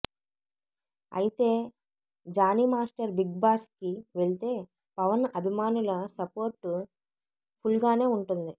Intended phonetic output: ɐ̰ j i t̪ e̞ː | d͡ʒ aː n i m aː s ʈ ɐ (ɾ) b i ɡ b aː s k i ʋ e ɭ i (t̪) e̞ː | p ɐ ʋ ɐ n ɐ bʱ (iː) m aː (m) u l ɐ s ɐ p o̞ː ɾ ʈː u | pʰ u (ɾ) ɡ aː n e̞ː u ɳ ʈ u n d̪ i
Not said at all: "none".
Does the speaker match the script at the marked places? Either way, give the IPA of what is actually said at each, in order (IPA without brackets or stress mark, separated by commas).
ɾ, t̪, i, n, l